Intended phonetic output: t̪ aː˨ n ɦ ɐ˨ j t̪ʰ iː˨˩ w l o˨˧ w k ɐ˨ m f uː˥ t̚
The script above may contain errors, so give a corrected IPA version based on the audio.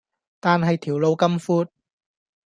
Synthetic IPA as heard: t̪ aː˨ n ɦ ɐ˨ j t̪ʰ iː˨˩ w l o˨˧ w k ɐ˥ m f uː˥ t̚